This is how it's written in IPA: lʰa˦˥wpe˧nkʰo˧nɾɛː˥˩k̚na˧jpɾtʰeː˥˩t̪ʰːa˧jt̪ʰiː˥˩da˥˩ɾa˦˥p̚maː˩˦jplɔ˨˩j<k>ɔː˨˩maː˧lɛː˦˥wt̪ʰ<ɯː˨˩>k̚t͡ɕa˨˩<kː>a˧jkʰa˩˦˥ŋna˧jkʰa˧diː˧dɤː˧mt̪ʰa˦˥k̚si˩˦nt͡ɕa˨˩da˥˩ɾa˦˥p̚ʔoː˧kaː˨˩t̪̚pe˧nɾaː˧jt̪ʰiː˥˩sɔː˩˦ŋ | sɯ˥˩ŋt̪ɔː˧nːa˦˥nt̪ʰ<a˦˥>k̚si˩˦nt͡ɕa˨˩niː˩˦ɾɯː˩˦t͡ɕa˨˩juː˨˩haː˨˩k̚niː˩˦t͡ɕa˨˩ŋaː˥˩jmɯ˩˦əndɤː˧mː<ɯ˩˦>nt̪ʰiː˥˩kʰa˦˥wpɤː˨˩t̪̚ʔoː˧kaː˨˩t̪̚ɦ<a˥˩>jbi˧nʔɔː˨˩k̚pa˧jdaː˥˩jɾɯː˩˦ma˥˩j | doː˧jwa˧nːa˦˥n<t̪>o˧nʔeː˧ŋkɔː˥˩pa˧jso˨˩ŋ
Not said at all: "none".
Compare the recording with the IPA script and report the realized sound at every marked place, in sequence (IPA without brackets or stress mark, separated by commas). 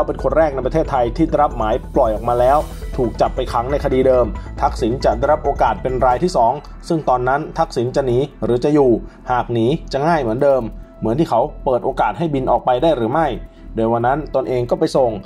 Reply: ʔ, uː˨˩, pː, a˦˥, ɯ˩˦, a˥˩, t̪